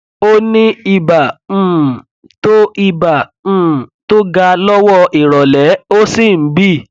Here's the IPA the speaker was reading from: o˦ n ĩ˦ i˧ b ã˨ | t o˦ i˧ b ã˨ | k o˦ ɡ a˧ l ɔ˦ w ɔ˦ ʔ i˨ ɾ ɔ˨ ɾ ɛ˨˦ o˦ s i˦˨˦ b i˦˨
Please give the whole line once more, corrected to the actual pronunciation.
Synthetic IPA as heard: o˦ n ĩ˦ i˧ b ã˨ | t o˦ i˧ b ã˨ | t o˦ ɡ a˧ l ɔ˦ w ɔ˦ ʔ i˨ ɾ ɔ˨ l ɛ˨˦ o˦ s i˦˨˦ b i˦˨